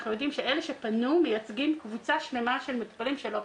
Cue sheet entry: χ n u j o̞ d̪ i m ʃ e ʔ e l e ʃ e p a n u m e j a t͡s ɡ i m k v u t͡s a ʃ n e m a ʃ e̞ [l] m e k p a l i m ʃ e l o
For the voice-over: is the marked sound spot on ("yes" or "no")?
yes